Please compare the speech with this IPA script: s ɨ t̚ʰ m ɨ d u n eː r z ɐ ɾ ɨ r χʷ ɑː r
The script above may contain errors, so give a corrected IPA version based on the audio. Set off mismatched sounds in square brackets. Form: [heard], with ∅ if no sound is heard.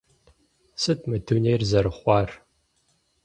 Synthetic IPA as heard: s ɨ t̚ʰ m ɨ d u n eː r z ɐ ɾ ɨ [∅] χʷ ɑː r